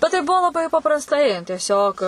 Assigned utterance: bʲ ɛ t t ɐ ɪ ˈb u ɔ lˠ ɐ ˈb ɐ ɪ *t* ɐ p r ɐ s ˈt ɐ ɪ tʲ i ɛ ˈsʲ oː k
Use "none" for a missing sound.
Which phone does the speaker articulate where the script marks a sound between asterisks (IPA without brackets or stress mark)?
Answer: p